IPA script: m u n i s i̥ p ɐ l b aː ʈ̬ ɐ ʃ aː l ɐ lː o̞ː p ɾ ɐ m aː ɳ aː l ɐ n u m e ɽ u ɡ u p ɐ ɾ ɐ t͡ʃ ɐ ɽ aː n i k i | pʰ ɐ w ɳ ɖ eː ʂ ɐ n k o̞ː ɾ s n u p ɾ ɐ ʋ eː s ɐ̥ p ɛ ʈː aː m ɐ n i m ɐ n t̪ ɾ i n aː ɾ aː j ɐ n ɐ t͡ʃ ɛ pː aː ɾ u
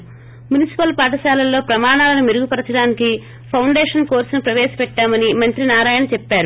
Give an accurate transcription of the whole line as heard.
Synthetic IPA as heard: m u n i s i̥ p ɐ l p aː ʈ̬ ɐ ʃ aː l ɐ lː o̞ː p ɾ ɐ m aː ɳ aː l ɐ n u m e ɾ u ɡ u p ɐ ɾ ɐ t͡ʃ ɐ ɽ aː n i k i | pʰ ɐ w ɳ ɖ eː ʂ ɐ n k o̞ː ɾ s n u p ɾ ɐ ʋ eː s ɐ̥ p ɛ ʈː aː m ɐ n i m ɐ n t̪ ɾ i n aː ɾ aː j ɐ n ɐ t͡ʃ ɛ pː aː ɾ u

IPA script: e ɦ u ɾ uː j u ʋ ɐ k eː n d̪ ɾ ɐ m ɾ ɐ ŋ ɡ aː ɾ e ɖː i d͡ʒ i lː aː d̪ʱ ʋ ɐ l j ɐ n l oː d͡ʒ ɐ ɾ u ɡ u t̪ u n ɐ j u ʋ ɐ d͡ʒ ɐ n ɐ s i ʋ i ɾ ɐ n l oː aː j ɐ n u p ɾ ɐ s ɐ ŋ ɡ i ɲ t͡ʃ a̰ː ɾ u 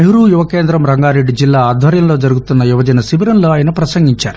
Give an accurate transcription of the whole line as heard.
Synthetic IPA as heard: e ɦ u ɾ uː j u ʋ ɐ k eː n d̪ ɾ ɐ m ɾ ɐ ŋ ɡ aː ɾ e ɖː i d͡ʒ i lː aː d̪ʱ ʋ ɐ ɾ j ɐ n l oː d͡ʒ ɐ ɾ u ɡ u t̪ u nː ɐ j u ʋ ɐ d͡ʒ ɐ n ɐ s i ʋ i ɾ ɐ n l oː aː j ɐ n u p ɾ ɐ s ɐ ŋ ɡ i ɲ t͡ʃ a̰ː ɾ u

